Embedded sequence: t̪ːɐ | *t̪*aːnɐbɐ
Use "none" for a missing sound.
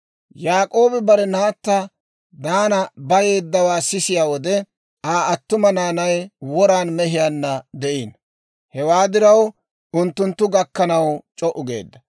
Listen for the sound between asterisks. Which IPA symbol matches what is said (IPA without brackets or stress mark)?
d̪